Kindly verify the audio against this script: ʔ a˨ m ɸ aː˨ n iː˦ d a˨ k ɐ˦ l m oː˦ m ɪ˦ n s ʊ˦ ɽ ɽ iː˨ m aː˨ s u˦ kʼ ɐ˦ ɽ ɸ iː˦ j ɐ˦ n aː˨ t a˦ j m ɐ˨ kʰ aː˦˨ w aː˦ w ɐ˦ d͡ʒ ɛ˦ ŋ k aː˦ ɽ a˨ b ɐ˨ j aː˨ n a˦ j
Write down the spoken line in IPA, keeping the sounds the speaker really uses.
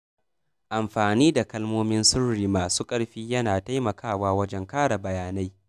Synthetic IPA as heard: ʔ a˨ m ɸ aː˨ n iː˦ d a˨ k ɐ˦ l m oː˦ m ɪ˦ n s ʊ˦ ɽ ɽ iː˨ m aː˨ s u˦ kʼ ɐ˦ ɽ ɸ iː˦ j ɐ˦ n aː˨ t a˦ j m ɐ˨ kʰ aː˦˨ w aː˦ w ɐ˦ d͡ʒ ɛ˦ ŋ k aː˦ ɽ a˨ b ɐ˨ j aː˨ n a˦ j